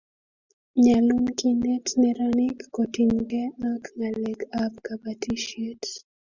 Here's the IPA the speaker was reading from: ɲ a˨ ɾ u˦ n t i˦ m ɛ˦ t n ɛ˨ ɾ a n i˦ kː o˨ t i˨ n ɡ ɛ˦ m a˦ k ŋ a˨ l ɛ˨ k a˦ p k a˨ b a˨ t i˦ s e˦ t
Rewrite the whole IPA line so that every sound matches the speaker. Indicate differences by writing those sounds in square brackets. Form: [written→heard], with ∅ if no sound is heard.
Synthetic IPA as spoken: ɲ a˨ [ɾ→l] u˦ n [t→k] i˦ [m→n] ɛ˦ t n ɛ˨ ɾ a n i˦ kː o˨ t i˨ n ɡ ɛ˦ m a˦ k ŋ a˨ l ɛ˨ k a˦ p k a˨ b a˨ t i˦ [s→ʃ] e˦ t

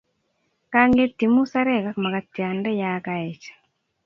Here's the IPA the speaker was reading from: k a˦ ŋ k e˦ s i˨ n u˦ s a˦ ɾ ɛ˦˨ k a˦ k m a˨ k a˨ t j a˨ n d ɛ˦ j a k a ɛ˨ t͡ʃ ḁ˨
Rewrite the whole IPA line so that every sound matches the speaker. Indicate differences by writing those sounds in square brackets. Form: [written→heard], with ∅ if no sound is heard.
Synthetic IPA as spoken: k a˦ ŋ [k→ɡ] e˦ [s→t] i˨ [n→m] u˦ s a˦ ɾ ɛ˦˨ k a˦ k m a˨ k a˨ t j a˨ n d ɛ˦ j a k a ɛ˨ t͡ʃ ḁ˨

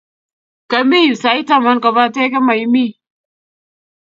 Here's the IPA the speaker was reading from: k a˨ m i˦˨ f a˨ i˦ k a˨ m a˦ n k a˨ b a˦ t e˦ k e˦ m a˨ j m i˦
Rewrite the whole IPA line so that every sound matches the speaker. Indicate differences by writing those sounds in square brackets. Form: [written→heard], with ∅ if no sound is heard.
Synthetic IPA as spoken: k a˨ m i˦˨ [f→s] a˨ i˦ [k→t] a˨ m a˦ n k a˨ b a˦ t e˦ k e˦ m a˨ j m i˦

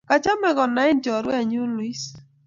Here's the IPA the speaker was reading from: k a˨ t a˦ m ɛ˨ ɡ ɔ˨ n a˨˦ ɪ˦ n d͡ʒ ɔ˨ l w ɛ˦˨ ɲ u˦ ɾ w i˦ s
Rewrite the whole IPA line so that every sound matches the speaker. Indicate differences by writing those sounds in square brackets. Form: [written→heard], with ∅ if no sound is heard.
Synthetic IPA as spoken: k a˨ [t→t͡ʃ] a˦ m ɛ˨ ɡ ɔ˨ n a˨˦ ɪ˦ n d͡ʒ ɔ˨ [l→ɾ] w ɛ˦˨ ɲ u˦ [ɾ→l] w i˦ s

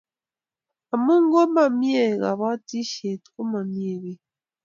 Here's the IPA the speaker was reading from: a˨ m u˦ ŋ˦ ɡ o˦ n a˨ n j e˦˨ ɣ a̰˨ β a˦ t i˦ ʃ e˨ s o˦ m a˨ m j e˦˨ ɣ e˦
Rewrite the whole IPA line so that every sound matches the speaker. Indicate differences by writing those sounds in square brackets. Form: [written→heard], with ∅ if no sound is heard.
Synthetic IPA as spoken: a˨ m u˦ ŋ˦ ɡ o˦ [n→m] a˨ [n→m] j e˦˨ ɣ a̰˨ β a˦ t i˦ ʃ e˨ [s→t] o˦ m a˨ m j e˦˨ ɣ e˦

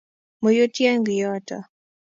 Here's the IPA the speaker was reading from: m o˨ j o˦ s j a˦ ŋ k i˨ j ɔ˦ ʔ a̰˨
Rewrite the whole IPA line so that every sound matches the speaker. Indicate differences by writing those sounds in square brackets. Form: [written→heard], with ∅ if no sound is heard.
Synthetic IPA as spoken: m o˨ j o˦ [s→t] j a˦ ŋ [k→ɡ] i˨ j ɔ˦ [ʔ→t] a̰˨

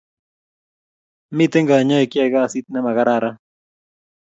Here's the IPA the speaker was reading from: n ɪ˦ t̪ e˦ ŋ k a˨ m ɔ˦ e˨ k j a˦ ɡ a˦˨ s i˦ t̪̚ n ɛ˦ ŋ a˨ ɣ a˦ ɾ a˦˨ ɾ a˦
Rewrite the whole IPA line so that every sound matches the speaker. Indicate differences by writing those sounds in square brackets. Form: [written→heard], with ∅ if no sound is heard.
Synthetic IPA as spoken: [n→m] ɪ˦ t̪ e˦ ŋ [k→ɡ] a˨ [m→ɲ] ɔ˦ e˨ k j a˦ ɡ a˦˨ s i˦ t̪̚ n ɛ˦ [ŋ→m] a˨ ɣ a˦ ɾ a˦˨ ɾ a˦

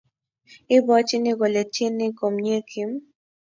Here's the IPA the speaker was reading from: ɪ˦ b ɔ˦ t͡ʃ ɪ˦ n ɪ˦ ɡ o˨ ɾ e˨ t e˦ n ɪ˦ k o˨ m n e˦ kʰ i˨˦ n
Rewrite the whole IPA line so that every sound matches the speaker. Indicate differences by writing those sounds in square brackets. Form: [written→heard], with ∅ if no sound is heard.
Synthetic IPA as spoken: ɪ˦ b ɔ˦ t͡ʃ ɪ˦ n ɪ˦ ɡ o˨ [ɾ→l] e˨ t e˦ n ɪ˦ k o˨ m [n→ɲ] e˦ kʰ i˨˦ [n→m]

